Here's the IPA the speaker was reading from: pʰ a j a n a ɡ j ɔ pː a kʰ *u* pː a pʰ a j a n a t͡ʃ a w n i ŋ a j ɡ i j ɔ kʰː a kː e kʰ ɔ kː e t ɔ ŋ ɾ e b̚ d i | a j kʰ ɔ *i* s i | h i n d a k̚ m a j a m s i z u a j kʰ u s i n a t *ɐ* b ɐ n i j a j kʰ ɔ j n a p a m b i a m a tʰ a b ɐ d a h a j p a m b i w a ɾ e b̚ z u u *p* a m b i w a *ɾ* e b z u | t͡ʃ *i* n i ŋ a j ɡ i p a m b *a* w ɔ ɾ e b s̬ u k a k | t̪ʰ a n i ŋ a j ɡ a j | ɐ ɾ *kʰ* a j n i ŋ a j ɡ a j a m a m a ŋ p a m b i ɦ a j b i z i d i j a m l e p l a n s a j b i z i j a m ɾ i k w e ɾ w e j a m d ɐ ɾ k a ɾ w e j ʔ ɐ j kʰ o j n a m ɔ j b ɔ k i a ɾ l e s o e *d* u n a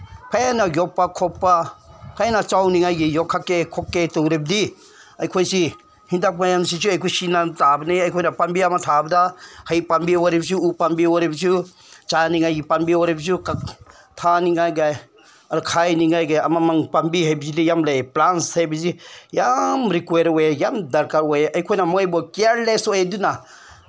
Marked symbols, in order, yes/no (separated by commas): no, no, no, yes, yes, no, no, yes, yes